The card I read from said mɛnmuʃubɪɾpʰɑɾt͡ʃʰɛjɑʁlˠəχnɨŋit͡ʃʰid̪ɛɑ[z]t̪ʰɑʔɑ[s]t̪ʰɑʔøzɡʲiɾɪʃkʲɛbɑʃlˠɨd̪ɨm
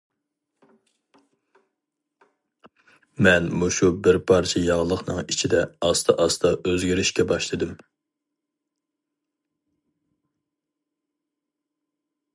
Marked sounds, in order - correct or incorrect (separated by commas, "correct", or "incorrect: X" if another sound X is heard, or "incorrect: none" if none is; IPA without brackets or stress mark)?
incorrect: s, correct